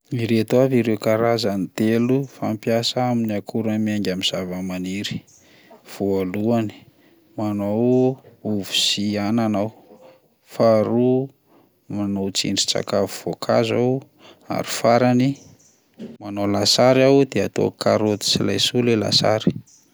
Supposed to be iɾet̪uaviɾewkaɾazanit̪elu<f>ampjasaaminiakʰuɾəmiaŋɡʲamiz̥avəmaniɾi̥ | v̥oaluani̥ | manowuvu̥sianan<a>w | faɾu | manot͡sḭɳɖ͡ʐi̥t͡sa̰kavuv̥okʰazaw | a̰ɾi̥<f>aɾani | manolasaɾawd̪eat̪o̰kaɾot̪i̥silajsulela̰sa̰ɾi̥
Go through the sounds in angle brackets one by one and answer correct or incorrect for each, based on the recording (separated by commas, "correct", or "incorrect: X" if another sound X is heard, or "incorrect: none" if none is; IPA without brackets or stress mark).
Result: correct, correct, correct